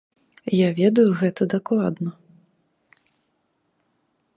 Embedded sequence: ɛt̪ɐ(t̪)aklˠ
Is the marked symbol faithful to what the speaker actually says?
no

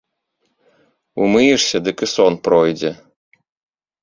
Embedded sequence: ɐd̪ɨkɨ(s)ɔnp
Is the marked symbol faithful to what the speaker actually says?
yes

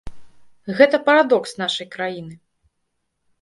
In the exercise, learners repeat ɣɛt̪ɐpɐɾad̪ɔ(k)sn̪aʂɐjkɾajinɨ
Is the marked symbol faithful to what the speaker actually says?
yes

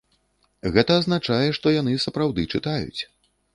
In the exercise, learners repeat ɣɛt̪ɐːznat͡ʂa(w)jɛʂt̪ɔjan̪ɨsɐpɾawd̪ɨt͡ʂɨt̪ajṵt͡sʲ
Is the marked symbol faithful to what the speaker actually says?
no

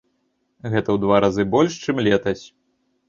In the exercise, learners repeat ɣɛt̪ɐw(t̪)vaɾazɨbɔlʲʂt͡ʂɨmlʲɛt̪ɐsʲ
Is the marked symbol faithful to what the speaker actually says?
no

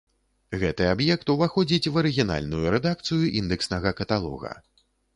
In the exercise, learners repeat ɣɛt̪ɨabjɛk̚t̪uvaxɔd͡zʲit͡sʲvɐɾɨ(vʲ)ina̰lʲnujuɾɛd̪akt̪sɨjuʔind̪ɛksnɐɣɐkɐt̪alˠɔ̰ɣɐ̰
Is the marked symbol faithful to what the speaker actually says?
no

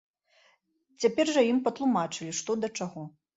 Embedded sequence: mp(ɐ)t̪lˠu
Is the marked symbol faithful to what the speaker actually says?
yes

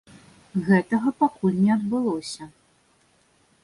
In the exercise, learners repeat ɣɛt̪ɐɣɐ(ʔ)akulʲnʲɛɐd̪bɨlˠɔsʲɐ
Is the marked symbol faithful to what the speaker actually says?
no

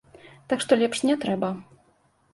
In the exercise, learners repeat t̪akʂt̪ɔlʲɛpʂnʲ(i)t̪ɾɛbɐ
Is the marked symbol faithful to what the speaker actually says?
no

